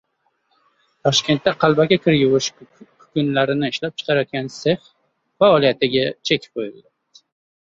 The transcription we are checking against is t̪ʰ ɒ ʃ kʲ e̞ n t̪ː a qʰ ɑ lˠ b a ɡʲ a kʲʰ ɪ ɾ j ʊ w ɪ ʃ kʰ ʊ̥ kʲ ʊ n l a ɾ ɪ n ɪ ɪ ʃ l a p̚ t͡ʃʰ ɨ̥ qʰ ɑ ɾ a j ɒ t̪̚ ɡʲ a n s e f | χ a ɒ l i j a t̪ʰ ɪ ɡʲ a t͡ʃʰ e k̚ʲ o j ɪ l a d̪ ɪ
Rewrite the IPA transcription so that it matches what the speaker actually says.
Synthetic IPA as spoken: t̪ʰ ɒ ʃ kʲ e̞ n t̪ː a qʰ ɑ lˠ b a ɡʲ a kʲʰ ɪ ɾ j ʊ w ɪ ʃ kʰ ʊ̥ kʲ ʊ n l a ɾ ɪ n ɪ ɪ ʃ l a p̚ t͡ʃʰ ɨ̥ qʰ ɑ ɾ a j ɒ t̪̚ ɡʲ a n s e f | f a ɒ l i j a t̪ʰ ɪ ɡʲ a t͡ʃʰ e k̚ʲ o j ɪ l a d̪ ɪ